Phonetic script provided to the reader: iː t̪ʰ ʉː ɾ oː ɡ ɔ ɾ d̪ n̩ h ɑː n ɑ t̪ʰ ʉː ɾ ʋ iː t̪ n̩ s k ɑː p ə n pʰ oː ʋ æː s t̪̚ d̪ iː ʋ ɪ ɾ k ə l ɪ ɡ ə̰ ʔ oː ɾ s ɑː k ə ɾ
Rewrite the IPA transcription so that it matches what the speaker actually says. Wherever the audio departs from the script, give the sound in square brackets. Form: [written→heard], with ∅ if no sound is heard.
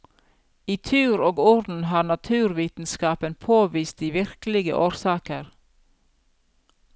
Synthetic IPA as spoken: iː t̪ʰ ʉː ɾ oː ɡ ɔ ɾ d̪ n̩ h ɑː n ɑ t̪ʰ ʉː ɾ ʋ iː t̪ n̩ s k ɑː p ə n pʰ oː ʋ [æː→iː] s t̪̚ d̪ iː ʋ ɪ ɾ k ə l ɪ ɡ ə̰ ʔ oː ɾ s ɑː k ə ɾ